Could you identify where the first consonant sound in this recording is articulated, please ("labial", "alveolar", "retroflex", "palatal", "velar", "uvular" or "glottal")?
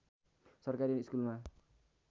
alveolar